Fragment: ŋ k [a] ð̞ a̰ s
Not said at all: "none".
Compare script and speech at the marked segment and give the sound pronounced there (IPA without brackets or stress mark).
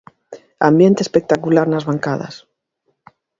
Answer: a